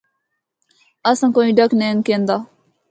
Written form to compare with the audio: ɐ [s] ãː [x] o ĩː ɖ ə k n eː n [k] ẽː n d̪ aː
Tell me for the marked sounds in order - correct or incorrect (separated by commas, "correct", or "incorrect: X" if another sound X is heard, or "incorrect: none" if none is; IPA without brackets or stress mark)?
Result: correct, incorrect: k, correct